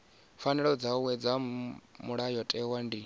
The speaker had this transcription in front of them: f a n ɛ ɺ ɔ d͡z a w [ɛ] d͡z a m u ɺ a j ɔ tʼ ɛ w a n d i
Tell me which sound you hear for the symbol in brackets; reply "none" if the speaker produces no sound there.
ɛ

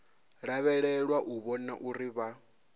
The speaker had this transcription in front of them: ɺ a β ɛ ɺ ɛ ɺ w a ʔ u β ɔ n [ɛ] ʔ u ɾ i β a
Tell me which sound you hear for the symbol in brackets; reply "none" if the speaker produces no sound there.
a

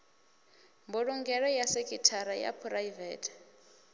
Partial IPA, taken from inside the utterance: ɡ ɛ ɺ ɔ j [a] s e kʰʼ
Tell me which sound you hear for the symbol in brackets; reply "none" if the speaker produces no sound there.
a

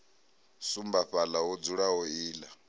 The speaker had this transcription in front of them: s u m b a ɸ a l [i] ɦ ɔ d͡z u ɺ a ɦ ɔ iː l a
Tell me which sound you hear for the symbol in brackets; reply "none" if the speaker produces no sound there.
a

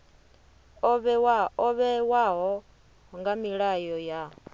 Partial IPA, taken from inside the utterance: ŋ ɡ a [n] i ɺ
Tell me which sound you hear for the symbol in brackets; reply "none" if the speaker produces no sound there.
m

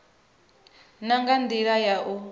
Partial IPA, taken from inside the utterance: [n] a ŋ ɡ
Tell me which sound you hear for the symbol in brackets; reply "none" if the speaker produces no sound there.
n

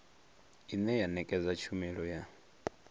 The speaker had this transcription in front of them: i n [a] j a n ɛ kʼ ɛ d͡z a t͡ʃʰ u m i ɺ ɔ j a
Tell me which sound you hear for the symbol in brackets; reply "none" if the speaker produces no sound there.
ɛ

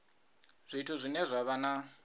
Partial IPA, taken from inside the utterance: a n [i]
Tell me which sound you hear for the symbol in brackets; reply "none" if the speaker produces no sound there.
a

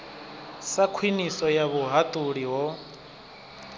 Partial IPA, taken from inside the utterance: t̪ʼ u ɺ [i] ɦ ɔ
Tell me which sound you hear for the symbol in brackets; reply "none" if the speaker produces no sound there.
i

